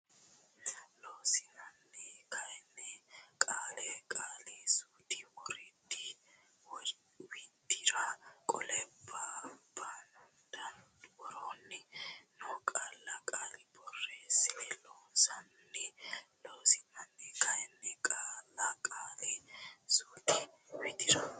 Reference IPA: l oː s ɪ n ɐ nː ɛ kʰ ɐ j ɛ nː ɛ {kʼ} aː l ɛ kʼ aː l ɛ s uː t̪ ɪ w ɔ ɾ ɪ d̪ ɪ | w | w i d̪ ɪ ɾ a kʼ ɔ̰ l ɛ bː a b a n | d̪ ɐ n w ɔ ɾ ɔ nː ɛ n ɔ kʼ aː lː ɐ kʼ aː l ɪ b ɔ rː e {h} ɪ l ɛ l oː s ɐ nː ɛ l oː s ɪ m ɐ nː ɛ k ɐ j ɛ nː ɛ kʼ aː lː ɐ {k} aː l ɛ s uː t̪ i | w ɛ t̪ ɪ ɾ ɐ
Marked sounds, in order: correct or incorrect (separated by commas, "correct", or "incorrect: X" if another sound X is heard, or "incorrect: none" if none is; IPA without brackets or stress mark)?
correct, incorrect: s, incorrect: kʼ